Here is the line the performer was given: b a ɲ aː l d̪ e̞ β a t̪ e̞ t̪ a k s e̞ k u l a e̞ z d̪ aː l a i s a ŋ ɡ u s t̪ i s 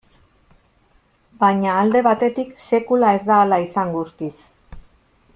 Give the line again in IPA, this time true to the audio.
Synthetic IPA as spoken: b a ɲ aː l d̪ e̞ β a t̪ e̞ t̪ i k s e̞ k u l a e̞ z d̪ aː l a i s a ŋ ɡ u s t̪ i s